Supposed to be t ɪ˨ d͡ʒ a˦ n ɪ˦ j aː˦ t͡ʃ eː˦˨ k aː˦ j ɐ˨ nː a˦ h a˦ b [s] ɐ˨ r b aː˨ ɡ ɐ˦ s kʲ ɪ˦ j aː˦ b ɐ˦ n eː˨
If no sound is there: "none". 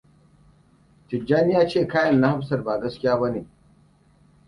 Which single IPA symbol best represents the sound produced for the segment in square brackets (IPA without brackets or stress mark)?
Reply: s